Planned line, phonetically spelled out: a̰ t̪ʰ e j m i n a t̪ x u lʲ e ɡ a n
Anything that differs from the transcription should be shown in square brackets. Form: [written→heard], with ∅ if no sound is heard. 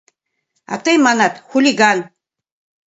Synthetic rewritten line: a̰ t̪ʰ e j m [i→a] n a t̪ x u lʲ [e→i] ɡ a n